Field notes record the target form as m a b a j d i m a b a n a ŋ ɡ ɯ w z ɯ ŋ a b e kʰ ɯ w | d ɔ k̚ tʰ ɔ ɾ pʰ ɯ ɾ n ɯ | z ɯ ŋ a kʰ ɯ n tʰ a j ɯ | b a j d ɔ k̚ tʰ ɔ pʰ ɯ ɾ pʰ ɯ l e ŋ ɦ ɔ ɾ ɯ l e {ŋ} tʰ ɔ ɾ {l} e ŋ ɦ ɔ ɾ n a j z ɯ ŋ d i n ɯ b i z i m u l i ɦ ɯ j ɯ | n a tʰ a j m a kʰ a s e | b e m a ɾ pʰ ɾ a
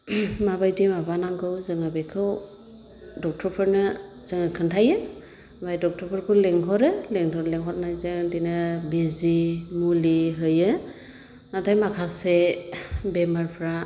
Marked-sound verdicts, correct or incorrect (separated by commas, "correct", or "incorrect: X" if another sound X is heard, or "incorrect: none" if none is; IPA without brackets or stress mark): correct, correct